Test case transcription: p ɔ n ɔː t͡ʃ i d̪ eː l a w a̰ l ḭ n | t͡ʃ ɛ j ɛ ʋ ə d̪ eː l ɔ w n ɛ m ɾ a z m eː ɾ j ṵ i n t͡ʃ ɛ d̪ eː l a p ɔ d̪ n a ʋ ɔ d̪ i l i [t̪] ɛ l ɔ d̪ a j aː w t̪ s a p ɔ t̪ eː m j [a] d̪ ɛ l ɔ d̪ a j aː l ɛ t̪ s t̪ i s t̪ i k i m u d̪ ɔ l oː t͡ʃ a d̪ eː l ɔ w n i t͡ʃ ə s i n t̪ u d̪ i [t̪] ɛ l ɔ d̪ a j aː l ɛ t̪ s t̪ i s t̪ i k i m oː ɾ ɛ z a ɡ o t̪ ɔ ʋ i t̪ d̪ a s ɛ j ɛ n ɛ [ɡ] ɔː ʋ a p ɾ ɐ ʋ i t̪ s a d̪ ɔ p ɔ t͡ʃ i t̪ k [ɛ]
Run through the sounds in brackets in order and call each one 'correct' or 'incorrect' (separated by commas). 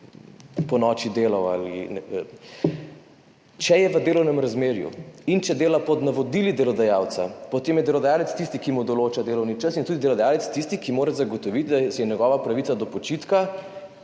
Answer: incorrect, incorrect, incorrect, correct, incorrect